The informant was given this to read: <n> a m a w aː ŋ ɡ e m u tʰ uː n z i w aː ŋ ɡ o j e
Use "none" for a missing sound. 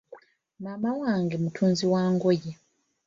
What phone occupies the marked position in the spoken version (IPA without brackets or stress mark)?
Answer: m